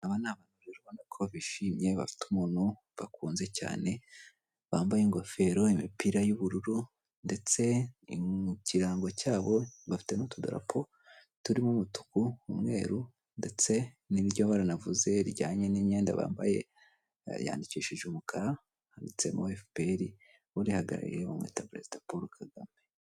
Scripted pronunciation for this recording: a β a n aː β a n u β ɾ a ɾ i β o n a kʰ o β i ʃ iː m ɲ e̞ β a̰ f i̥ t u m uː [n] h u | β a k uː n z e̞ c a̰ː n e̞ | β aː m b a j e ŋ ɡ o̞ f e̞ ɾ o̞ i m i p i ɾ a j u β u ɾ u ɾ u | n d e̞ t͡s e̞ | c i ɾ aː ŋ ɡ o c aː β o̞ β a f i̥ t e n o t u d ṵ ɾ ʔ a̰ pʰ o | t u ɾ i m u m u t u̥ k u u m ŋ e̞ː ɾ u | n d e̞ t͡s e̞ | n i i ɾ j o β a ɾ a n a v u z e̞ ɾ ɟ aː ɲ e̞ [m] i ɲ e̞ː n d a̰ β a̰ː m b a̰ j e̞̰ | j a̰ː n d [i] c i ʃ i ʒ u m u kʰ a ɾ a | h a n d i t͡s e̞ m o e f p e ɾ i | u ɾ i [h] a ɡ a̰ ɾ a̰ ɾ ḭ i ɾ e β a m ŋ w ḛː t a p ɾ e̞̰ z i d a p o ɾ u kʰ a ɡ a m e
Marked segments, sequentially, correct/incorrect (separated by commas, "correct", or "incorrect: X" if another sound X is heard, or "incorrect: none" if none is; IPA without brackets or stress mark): correct, incorrect: n, correct, correct